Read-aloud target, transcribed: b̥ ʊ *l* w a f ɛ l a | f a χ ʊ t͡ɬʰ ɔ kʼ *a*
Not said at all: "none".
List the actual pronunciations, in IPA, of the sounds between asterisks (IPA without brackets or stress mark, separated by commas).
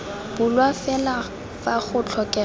l, ɛ